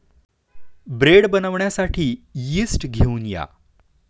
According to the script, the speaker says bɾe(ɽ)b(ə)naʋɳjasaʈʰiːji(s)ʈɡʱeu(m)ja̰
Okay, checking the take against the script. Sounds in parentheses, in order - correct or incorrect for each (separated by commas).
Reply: correct, correct, correct, incorrect